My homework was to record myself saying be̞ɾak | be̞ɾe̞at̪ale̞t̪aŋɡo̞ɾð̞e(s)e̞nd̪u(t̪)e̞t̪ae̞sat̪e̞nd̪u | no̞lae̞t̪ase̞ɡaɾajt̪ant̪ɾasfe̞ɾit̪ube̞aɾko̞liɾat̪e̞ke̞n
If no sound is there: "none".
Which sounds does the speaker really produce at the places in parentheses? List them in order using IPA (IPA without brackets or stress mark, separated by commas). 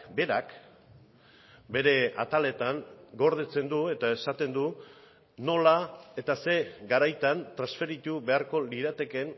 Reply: t͡s, none